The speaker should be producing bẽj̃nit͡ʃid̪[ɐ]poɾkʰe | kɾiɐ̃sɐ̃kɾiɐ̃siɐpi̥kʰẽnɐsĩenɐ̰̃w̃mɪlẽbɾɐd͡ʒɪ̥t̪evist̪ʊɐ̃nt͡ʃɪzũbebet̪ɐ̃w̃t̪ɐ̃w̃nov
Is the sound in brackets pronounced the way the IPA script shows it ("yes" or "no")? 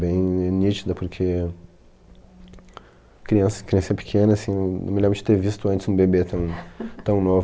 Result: yes